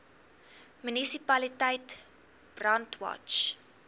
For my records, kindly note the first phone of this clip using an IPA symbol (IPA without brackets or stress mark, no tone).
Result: m